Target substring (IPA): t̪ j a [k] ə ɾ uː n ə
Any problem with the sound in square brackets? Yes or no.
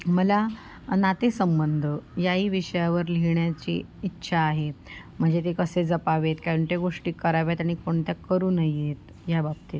no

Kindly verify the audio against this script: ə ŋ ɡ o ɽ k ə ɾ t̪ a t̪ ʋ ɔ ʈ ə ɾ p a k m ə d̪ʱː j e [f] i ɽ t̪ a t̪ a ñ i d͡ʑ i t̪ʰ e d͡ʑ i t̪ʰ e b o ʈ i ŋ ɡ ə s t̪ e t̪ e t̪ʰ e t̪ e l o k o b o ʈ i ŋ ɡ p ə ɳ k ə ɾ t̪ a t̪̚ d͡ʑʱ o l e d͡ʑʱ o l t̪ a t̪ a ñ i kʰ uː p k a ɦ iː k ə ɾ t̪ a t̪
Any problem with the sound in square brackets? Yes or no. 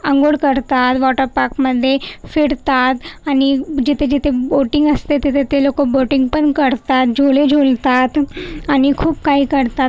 no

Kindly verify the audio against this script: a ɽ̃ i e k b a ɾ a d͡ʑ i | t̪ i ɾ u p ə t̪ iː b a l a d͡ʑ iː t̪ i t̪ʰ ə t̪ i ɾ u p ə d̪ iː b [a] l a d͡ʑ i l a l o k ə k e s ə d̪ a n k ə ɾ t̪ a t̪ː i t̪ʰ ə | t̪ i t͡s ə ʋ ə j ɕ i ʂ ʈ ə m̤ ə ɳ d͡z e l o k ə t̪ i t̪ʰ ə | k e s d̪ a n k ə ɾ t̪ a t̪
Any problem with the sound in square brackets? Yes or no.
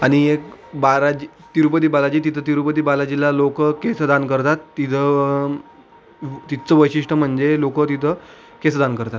no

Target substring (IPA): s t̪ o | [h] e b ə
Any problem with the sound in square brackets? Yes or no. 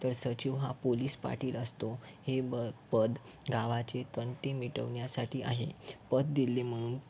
no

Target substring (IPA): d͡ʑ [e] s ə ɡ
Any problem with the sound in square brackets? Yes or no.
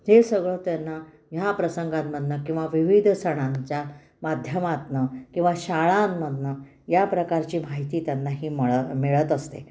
no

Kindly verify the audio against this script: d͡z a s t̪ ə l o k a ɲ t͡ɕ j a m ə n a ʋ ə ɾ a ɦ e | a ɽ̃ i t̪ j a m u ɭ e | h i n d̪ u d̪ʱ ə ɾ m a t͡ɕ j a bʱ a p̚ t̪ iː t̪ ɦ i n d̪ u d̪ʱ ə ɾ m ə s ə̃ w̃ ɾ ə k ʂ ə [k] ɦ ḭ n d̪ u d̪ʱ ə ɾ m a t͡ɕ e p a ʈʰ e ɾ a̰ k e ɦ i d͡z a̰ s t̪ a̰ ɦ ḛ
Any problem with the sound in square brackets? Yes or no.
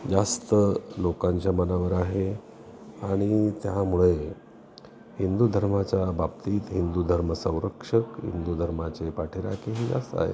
no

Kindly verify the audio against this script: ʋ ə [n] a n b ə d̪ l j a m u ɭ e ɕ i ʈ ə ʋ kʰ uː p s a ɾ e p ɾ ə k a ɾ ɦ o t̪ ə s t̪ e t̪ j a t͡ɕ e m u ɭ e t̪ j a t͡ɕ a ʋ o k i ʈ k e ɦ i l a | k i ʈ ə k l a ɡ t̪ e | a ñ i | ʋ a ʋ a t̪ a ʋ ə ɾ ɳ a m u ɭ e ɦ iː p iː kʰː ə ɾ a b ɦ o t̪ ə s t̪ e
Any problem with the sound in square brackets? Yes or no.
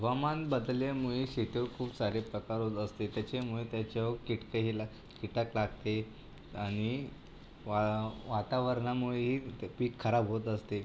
yes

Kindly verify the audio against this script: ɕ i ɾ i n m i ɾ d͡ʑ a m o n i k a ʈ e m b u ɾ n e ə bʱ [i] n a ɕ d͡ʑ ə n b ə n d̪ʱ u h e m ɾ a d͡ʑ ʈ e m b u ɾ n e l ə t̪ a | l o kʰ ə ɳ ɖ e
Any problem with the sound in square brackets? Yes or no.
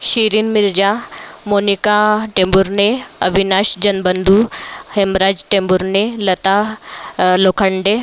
no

